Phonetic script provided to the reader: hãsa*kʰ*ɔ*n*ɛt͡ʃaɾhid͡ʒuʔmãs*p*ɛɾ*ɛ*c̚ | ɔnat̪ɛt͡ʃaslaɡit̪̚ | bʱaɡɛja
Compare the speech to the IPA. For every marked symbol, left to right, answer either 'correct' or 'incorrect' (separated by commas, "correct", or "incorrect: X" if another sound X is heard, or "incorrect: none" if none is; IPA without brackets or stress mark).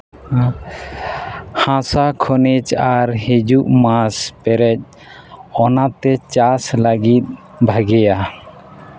correct, correct, correct, correct